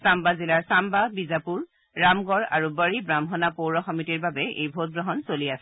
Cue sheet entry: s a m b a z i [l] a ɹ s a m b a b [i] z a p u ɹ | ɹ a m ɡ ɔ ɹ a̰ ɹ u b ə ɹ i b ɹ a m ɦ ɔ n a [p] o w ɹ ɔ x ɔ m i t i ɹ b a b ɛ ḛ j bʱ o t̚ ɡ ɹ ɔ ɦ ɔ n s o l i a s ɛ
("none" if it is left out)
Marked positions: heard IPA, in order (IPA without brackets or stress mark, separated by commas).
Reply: l, i, p